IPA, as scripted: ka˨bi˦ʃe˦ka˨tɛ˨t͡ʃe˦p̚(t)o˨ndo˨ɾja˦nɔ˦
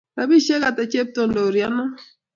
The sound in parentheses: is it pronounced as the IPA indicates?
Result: yes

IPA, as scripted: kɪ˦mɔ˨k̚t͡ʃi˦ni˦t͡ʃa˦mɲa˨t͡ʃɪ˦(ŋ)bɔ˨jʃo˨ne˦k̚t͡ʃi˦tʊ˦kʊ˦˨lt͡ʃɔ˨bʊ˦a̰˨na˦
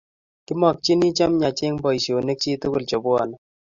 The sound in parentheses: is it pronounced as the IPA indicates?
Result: yes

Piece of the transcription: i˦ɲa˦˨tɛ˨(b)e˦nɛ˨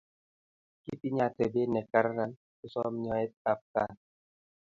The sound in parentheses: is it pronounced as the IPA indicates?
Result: yes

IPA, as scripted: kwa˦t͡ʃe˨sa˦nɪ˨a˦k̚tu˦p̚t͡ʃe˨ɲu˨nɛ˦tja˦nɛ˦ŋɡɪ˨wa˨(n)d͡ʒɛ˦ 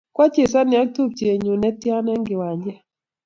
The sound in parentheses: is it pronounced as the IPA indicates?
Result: no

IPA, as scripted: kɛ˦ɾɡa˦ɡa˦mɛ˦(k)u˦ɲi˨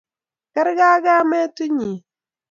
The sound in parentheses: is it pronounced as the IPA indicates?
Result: no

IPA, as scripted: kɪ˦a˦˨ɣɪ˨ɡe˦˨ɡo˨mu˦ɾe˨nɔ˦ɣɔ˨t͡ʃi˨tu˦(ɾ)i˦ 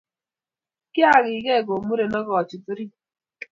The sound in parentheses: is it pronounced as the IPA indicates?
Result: yes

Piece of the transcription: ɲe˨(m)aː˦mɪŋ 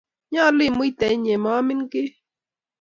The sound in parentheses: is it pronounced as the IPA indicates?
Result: yes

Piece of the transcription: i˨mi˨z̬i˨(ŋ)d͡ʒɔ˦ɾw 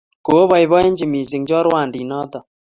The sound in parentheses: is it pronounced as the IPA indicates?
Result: yes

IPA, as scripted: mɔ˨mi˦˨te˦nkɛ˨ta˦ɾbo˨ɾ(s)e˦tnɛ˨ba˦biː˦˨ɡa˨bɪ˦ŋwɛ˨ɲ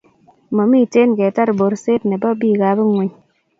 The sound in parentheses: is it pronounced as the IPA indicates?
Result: yes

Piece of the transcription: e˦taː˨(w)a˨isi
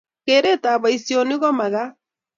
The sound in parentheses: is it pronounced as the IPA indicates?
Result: no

